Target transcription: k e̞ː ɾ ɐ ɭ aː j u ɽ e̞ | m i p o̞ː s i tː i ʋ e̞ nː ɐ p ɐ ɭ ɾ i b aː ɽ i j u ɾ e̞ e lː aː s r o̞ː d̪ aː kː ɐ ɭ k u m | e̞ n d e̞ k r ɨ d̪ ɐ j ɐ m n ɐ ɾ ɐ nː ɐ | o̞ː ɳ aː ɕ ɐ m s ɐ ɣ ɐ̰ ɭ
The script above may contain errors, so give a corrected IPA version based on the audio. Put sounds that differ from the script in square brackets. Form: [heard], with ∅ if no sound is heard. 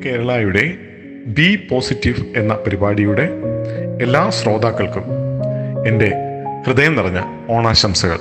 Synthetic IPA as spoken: k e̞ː ɾ ɐ ɭ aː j u ɽ e̞ | [b] i p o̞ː s i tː i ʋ e̞ nː ɐ p ɐ [∅] ɾ i b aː ɽ i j u [ɽ] e̞ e lː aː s r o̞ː d̪ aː kː ɐ ɭ k u m | e̞ n d e̞ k r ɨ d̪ ɐ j ɐ m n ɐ [r] ɐ [ɲː] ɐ | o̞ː ɳ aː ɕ ɐ m s ɐ ɣ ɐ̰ ɭ